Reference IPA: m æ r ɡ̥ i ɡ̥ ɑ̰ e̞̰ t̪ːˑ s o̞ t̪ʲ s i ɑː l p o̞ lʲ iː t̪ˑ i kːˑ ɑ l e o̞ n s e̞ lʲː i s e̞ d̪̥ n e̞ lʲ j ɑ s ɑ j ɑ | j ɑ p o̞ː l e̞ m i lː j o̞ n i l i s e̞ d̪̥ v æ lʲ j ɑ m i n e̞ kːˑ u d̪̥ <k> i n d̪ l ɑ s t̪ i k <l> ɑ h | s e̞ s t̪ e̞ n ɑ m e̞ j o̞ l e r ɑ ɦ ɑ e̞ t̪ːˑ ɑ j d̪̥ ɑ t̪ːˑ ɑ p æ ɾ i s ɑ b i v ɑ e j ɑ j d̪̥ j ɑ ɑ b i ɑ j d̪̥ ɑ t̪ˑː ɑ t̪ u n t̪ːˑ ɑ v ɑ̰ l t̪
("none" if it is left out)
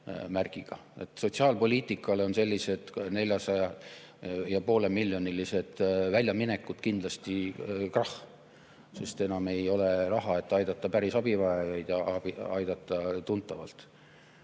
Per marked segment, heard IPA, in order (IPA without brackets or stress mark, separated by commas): k, r